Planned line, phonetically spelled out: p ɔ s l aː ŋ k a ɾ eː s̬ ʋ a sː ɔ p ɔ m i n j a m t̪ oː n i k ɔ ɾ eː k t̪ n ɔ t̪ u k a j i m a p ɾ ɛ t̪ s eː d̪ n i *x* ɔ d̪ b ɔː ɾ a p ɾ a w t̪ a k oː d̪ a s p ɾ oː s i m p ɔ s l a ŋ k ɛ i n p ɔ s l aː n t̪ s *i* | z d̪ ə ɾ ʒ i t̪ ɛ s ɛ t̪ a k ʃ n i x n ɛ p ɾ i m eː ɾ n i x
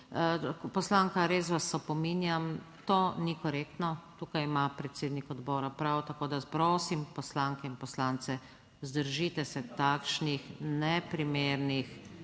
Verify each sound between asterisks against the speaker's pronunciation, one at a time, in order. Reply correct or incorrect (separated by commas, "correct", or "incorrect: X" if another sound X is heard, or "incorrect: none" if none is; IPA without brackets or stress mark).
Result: incorrect: k, incorrect: ɛ